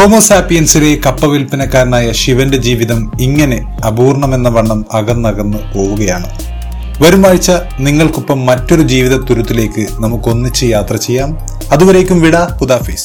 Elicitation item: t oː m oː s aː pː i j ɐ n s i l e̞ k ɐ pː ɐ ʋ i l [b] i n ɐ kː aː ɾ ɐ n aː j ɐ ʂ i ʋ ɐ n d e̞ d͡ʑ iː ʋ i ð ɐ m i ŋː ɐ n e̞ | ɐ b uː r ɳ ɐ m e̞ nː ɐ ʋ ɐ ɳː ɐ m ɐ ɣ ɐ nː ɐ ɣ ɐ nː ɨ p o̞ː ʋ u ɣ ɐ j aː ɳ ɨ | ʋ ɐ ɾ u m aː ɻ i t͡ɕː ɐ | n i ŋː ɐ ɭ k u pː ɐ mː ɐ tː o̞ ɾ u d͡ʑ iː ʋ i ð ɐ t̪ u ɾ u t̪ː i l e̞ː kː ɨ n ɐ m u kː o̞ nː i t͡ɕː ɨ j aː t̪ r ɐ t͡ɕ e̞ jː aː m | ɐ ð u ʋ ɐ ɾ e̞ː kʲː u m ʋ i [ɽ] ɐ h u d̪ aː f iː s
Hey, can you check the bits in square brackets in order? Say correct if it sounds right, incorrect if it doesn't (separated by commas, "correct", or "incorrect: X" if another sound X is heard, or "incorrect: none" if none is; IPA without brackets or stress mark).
incorrect: p, correct